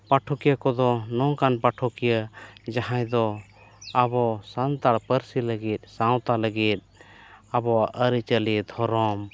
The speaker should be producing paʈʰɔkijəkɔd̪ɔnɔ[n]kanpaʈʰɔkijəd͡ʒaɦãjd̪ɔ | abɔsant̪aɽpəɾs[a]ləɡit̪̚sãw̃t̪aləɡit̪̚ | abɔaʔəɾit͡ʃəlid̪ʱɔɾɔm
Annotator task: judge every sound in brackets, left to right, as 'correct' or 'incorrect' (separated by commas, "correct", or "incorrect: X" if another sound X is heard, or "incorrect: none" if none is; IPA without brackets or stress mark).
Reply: incorrect: ŋ, incorrect: i